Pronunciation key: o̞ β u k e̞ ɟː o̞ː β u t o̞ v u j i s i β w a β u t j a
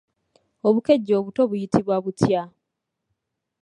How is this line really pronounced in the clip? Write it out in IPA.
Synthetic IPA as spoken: o̞ β u k e̞ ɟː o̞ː β u t o̞ β u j i t i β w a β u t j a